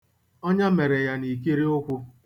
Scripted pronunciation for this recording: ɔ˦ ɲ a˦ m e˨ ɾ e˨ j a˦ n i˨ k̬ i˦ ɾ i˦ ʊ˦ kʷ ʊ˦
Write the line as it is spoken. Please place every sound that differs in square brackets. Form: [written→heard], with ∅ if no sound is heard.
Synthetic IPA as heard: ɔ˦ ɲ a˦ m e˨ ɾ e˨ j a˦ n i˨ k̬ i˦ ɾ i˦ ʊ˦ kʷ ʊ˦